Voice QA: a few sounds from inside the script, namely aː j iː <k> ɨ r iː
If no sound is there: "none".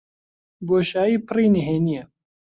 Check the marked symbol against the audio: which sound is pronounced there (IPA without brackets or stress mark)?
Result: p